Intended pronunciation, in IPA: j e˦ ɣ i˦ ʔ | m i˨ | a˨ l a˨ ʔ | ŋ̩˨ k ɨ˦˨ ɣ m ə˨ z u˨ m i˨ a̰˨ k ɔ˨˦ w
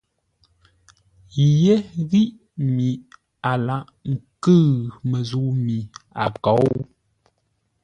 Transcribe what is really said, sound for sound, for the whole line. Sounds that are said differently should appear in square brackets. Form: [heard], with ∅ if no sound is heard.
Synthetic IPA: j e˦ ɣ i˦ ʔ | m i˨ | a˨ l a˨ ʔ | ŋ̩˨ k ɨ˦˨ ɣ m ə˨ z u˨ m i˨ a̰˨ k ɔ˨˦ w